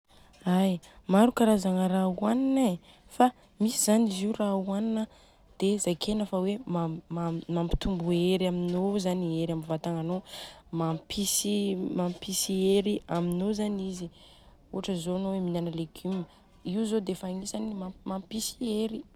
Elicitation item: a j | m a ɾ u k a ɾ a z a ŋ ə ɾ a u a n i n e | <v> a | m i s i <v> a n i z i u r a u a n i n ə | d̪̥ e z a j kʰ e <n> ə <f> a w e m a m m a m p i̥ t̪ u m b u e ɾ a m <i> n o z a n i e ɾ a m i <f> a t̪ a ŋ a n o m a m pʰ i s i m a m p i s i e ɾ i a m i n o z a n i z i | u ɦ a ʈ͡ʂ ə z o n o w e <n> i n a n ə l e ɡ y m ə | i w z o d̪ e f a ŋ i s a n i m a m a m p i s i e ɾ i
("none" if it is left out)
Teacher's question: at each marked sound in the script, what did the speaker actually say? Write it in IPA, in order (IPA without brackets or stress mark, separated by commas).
f, z, n, f, i, v, m